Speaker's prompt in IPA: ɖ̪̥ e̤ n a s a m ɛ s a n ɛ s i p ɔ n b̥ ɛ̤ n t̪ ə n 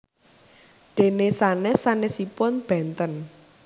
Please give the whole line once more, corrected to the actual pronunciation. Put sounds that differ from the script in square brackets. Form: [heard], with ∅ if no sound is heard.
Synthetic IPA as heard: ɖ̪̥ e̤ n [e] s a [n] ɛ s a n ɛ s i p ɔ n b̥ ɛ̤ n t̪ ə n